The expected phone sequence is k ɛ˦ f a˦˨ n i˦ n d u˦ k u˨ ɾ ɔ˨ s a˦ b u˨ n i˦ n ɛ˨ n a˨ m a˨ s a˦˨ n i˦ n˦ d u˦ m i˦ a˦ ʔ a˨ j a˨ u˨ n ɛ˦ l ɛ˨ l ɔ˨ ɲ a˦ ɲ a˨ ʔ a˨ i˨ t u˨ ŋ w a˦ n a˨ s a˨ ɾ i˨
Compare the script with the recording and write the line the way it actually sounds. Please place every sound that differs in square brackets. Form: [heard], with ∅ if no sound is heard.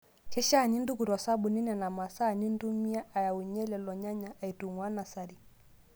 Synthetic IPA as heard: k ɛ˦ [ʃ] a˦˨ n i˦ n d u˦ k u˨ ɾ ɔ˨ s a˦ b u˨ n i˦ n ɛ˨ n a˨ m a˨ s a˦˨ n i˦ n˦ d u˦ m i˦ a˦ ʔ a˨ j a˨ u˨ [ɲ] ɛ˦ l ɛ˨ l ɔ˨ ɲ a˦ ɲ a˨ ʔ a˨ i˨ t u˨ ŋ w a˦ n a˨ s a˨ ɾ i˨

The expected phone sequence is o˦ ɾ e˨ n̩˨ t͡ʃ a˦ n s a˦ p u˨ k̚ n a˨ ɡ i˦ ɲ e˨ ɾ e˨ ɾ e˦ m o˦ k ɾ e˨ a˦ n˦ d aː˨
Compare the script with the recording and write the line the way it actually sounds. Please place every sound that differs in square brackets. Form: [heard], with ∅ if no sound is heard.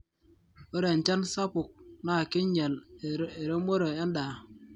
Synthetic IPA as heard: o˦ ɾ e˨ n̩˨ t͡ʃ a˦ n s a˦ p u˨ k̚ n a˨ [k] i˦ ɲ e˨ [l] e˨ ɾ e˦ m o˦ [∅] ɾ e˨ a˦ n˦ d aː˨

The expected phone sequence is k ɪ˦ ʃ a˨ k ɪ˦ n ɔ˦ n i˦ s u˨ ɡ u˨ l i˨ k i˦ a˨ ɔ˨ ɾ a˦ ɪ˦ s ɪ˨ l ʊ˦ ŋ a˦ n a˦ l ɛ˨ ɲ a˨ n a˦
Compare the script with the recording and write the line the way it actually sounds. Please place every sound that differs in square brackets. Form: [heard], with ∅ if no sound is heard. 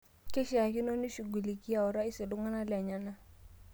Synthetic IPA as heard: k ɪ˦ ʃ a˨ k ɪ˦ n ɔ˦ n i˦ [ʃ] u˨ ɡ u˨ l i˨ k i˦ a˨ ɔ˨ ɾ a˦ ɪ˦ s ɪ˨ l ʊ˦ ŋ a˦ n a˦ l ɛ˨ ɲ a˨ n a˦

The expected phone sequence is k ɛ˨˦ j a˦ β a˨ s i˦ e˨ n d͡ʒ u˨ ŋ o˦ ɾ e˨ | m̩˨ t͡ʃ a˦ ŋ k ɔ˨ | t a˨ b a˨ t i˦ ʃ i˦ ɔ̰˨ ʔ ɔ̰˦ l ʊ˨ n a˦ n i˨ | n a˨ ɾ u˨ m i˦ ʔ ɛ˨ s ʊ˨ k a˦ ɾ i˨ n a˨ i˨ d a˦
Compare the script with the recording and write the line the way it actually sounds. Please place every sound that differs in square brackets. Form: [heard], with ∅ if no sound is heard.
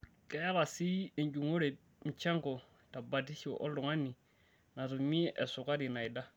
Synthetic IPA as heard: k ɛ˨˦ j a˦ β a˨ s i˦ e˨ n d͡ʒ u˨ ŋ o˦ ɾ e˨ | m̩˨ t͡ʃ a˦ ŋ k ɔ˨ | t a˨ b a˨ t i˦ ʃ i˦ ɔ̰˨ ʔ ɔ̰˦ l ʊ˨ [ŋ] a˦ n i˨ | n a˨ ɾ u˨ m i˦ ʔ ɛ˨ s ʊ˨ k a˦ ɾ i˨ n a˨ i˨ d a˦

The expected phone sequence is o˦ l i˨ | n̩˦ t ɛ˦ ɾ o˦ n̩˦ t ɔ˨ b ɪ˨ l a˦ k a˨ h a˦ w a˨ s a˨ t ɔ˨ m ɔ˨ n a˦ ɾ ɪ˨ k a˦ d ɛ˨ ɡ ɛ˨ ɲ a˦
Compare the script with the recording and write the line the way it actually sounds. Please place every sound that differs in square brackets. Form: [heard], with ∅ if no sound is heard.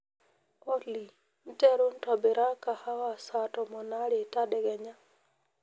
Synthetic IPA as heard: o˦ l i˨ | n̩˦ t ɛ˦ ɾ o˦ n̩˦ t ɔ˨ b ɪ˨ [ɾ] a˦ k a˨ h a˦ w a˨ s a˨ t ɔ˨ m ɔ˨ n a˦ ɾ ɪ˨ [t] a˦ d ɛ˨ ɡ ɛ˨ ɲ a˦

